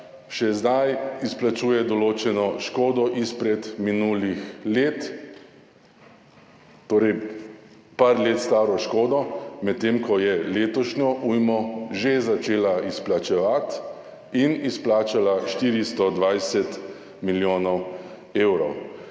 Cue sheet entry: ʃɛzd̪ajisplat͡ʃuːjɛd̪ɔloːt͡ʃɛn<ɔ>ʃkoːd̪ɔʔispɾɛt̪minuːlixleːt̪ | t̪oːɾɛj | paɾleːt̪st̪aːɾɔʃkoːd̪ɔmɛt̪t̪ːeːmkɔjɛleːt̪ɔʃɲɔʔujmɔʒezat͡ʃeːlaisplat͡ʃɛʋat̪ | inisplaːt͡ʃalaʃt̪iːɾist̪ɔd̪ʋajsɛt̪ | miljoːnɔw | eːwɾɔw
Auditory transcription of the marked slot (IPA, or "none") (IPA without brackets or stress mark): ɔ